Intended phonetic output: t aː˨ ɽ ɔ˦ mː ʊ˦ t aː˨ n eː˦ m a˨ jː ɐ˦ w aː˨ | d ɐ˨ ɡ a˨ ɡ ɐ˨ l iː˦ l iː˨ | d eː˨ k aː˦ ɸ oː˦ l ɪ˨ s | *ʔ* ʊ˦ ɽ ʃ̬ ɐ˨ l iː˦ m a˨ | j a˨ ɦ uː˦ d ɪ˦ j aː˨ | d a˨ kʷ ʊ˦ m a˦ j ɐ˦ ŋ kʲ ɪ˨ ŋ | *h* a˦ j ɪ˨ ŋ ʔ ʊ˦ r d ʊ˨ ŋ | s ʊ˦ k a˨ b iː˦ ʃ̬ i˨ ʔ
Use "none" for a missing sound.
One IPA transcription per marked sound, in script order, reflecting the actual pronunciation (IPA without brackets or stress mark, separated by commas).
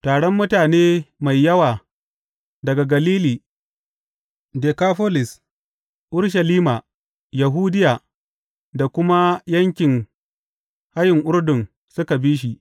ʔ, h